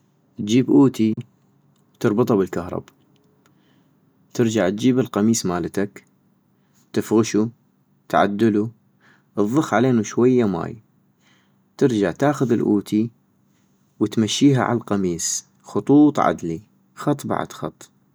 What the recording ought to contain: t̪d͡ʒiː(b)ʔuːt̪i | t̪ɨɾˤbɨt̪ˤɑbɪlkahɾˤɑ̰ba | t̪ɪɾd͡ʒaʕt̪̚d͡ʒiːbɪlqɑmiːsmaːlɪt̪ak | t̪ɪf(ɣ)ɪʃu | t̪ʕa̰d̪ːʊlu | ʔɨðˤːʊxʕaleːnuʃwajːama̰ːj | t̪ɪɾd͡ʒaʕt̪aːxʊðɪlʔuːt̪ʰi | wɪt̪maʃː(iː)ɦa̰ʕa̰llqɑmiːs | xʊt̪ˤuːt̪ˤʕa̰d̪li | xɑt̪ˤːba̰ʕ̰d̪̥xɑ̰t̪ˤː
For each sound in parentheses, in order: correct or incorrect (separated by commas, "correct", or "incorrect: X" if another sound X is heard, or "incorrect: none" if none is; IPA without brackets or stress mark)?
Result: correct, correct, correct